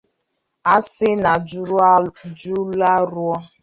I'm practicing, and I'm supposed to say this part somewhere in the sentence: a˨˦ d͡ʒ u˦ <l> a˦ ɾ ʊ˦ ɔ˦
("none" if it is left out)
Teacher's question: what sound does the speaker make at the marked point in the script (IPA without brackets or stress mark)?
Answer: l